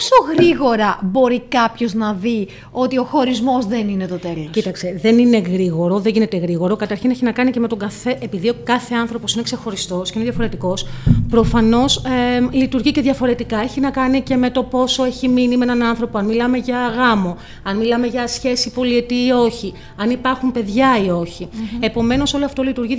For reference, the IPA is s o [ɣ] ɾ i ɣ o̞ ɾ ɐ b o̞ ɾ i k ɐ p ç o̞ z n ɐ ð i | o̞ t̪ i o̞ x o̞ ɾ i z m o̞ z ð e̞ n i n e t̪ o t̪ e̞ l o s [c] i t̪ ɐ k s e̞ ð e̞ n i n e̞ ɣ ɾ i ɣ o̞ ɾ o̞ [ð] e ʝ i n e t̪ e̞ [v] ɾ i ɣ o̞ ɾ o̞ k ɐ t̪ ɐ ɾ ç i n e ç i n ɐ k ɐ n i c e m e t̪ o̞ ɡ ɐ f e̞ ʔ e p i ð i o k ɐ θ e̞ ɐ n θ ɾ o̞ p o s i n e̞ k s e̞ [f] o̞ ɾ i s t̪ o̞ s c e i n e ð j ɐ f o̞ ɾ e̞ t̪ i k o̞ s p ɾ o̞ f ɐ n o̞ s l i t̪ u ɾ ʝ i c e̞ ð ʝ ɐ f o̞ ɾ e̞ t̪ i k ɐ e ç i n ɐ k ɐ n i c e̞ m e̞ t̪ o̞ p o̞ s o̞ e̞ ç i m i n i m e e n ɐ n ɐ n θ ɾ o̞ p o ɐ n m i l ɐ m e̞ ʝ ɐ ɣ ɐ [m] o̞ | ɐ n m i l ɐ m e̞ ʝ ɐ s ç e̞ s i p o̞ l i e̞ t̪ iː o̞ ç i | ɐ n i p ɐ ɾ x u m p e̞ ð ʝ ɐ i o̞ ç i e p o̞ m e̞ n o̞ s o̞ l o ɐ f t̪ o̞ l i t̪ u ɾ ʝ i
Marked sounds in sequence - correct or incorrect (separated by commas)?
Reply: correct, correct, correct, incorrect, incorrect, correct